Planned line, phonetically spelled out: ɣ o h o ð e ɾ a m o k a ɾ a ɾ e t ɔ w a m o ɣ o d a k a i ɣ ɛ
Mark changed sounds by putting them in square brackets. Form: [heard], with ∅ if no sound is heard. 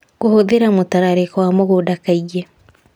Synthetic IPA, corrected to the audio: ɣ o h o ð e ɾ a m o [t] a ɾ a ɾ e [k] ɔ w a m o ɣ o d a k a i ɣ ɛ